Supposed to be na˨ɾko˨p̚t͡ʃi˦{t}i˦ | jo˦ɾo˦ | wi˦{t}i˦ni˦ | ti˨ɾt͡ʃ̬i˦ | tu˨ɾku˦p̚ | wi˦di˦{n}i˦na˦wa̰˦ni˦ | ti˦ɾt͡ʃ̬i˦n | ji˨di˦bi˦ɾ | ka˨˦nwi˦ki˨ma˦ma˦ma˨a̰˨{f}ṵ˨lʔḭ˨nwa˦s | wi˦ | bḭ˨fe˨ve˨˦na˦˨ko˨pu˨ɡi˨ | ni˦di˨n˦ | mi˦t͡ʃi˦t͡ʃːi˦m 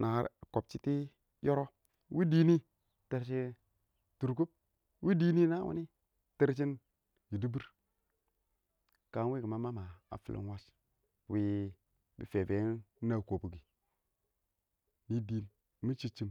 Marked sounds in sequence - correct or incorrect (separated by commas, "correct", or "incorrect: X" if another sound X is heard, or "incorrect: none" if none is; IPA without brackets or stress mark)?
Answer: correct, incorrect: d, correct, correct